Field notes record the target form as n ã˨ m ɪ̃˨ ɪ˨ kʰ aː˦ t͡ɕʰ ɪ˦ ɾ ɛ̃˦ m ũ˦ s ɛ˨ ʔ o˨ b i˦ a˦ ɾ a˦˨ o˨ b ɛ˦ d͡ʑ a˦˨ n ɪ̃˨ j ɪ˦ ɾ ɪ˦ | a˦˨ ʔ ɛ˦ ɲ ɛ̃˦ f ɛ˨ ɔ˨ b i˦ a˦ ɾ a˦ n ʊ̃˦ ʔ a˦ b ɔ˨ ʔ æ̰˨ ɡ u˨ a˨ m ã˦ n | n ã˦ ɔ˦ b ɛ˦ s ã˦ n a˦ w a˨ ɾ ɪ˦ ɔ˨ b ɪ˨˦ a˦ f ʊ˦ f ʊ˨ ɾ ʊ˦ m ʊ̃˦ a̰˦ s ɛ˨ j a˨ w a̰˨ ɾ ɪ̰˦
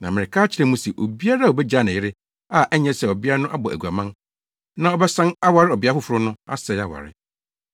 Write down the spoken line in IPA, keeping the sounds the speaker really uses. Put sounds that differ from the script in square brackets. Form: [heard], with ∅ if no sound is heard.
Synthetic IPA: n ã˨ m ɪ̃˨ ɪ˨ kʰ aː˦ t͡ɕʰ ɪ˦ ɾ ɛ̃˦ m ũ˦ s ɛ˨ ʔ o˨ b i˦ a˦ ɾ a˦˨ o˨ b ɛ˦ d͡ʑ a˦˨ n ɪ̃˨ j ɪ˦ ɾ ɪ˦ | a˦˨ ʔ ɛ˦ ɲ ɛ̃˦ [s] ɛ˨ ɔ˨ b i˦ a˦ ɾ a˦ n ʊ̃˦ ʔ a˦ b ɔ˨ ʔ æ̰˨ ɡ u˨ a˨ m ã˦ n | n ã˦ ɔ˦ b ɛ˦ s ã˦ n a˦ w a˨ ɾ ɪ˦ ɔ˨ b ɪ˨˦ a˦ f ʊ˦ f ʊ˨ ɾ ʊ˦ [n] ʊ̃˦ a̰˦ s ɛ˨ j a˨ w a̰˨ ɾ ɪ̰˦